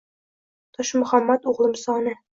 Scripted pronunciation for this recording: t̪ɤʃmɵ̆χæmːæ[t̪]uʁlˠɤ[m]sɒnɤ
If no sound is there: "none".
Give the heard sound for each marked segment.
t̪, m

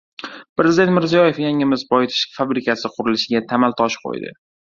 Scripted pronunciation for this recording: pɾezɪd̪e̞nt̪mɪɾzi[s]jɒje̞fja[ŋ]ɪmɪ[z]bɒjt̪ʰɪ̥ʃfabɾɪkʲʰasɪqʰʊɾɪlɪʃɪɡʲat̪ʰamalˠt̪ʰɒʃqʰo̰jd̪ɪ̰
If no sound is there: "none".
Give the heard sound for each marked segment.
none, ŋ, z

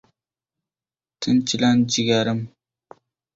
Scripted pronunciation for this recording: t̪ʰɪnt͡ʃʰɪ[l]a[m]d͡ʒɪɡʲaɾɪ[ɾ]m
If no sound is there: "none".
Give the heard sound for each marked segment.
l, n, none

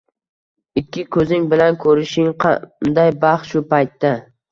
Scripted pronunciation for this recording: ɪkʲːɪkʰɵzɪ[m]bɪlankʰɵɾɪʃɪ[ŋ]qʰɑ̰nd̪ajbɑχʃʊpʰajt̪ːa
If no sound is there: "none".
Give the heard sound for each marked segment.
ŋ, ŋ

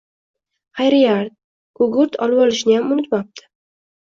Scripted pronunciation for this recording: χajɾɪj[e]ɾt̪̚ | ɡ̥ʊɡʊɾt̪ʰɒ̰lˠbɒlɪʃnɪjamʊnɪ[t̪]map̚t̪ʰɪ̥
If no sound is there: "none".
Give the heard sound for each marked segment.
a, t̪

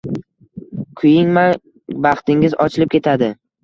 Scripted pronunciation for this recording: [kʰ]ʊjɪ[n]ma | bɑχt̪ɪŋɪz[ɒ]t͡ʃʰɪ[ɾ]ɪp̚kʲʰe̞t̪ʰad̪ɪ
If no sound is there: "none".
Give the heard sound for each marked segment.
kʰ, ŋ, ɒ, l

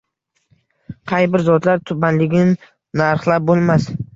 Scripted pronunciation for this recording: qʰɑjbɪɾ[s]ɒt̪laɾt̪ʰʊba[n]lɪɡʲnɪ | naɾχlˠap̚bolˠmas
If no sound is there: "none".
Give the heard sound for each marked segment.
z, n

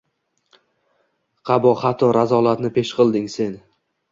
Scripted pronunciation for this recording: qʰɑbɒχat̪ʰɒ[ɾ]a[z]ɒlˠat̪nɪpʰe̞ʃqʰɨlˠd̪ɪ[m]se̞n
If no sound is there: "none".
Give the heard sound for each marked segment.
ɾ, z, ŋ

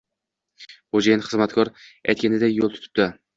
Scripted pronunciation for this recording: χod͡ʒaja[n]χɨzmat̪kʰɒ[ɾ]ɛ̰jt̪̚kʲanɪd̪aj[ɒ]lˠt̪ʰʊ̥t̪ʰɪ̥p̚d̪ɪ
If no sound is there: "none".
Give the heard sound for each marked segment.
n, ɾ, o

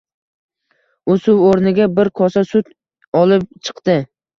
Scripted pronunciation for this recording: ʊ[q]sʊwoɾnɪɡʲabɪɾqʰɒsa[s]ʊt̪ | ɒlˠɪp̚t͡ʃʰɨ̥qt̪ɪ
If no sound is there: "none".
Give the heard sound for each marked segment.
none, s

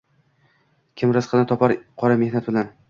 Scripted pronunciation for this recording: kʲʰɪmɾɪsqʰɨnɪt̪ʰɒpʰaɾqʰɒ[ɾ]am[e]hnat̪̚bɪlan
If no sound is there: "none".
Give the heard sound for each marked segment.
ɾ, e

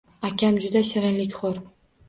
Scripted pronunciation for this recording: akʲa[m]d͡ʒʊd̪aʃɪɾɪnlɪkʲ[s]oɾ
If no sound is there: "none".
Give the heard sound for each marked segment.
m, χ

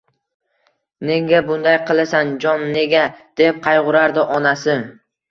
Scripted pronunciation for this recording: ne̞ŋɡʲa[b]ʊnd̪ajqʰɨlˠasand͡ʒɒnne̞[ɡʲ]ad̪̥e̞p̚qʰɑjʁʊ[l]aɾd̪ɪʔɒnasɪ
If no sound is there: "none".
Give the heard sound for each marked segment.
b, ɡʲ, ɾ

